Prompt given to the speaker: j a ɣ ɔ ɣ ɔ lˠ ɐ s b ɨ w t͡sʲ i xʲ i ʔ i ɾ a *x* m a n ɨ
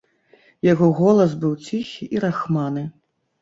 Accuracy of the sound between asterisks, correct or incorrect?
correct